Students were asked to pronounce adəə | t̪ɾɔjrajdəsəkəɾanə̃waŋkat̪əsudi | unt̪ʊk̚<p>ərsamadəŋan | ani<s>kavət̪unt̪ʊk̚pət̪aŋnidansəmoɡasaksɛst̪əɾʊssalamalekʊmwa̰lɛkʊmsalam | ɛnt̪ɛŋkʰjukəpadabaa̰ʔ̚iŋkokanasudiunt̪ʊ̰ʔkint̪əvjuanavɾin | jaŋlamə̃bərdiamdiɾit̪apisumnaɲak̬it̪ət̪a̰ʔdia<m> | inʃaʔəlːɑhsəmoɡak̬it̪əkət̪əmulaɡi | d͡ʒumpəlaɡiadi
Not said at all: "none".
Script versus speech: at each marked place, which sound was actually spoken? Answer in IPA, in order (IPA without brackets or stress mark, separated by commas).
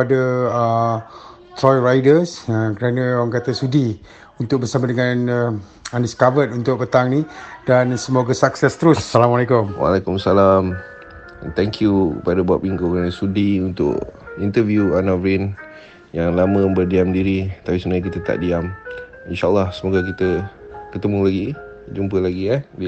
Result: b, s, m